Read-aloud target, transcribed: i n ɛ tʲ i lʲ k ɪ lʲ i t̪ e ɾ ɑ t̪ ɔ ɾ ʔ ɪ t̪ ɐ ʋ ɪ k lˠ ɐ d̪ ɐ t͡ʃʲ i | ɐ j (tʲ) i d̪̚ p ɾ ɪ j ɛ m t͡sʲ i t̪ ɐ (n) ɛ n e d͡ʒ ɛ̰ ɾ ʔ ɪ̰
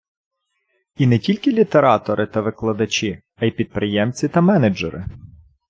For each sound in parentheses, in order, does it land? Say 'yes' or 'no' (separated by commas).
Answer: no, no